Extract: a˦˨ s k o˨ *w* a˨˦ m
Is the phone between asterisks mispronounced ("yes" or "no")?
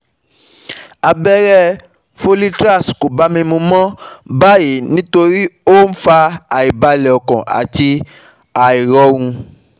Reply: yes